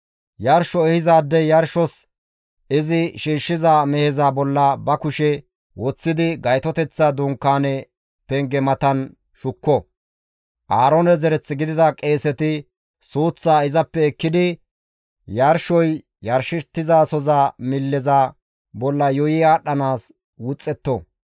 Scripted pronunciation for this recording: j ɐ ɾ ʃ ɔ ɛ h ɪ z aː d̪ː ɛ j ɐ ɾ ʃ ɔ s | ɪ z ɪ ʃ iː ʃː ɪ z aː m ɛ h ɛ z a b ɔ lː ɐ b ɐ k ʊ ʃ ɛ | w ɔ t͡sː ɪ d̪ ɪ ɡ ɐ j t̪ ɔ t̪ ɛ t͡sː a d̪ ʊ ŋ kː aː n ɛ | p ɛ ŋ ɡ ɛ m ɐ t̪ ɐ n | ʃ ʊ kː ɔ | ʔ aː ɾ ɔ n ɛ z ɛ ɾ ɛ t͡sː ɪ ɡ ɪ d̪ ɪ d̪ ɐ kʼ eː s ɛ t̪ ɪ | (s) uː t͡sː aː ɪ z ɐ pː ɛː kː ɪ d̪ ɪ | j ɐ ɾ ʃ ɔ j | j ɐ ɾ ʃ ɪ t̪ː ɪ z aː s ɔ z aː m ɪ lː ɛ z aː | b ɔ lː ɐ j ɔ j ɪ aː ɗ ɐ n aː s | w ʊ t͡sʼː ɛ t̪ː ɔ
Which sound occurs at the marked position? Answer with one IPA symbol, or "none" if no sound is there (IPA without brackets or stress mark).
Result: s